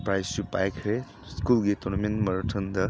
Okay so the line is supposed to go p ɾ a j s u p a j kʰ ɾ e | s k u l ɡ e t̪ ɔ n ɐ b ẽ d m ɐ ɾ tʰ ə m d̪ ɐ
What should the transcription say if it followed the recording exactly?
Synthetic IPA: p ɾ a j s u p a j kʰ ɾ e | s k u l ɡ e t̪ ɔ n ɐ m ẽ n m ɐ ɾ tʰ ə n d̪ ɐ

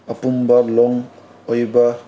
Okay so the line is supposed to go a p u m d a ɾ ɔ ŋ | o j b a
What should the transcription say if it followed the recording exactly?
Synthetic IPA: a p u m b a l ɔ ŋ | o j b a

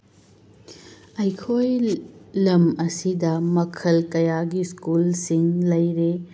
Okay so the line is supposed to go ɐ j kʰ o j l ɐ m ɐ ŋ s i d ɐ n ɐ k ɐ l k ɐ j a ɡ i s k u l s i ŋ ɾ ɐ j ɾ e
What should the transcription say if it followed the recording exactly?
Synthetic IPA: ɐ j kʰ o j l ɐ m ɐ s i d ɐ m ɐ kʰ ɐ l k ɐ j a ɡ i s k u l s i ŋ l ɐ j ɾ e

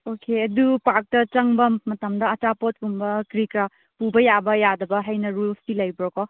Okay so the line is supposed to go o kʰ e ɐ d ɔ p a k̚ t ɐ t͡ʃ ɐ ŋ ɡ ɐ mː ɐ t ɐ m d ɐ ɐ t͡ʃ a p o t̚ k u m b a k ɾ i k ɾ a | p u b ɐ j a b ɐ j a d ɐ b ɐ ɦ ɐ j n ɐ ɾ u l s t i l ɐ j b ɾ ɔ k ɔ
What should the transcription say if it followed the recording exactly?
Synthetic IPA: o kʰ e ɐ d u p a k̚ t ɐ t͡ʃ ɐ ŋ b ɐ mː ɐ t ɐ m d ɐ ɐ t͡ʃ a p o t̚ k u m b ɐ k ɾ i k ɾ a | p u b ɐ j a b ɐ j a d ɐ b ɐ ɦ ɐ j n ɐ ɾ u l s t i l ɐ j b ɾ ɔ k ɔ

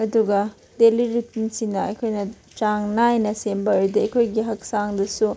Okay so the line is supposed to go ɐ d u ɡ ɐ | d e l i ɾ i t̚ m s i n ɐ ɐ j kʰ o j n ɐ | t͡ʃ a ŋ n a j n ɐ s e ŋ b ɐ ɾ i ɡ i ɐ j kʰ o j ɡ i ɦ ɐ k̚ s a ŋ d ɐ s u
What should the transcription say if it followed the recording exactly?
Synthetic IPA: ɐ d u ɡ ɐ | d e l i ɾ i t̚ m s i n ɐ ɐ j kʰ o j n ɐ | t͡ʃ a ŋ n a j n ɐ s e m b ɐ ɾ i d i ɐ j kʰ o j ɡ i ɦ ɐ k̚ s a ŋ d ɐ s u

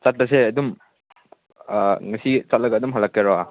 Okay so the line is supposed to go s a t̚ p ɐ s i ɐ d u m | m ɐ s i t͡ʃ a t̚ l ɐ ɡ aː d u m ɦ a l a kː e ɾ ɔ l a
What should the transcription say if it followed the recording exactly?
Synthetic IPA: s a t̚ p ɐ s e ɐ d u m | ŋ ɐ s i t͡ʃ a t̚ l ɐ ɡ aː d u m ɦ a l a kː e ɾ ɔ a

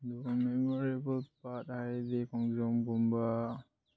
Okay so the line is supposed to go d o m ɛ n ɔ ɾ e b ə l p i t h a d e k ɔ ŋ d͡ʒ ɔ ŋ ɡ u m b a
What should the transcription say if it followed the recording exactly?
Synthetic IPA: d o m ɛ m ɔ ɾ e b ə l p a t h a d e k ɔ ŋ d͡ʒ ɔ m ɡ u m b a

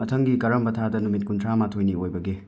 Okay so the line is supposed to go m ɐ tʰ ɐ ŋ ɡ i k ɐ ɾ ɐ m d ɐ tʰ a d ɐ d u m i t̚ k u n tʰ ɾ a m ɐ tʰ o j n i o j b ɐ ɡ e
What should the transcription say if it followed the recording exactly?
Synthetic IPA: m ɐ tʰ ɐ ŋ ɡ i k ɐ ɾ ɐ m b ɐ tʰ a d ɐ n u m i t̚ k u n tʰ ɾ a m a tʰ o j n i o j b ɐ ɡ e

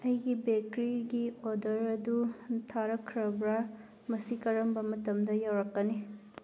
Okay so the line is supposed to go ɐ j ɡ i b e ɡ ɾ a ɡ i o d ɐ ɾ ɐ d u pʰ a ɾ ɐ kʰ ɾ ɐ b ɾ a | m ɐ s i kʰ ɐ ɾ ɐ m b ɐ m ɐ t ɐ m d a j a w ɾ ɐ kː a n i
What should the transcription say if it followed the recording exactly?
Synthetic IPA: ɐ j ɡ i b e k ɾ i ɡ i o d ɐ ɾ ɐ d u tʰ a ɾ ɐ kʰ ɾ ɐ b ɾ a | m ɐ s i k ɐ ɾ ɐ m b ɐ m ɐ t ɐ m d ɐ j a w ɾ ɐ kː ɐ n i

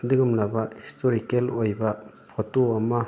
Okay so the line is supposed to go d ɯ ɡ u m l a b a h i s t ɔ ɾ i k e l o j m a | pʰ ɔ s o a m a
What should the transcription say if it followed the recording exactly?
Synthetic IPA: d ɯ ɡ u m l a b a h i s t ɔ ɾ i k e l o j b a | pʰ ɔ t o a m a

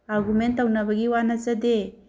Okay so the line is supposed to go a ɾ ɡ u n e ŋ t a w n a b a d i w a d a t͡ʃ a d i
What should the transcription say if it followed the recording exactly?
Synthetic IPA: a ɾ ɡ u m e n t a w n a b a ɡ i w a n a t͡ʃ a d e

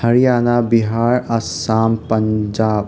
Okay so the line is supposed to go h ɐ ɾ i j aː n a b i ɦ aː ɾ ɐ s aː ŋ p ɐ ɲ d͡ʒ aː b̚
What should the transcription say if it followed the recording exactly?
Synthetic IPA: h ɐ ɾ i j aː n a b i ɦ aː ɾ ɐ s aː m p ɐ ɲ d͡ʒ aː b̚

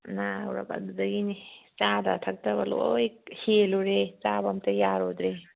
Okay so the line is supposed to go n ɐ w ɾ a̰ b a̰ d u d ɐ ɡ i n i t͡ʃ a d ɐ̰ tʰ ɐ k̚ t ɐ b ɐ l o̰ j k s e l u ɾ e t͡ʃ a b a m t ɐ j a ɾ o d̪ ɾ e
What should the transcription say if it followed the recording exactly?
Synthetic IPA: n a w ɾ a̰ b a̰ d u d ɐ ɡ i n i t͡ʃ a d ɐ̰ tʰ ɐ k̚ t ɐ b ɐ l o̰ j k h e l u ɾ e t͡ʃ a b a m t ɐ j a ɾ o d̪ ɾ e

